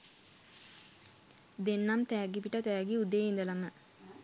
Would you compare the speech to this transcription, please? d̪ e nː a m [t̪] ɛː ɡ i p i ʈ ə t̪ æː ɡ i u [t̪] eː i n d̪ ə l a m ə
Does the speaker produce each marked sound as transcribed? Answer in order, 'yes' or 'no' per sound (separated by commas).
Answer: yes, no